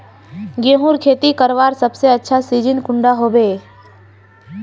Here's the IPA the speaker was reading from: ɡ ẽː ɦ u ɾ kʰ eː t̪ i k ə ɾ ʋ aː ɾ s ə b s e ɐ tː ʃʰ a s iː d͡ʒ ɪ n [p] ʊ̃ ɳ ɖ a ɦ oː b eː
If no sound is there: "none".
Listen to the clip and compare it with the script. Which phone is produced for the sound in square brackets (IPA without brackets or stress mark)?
k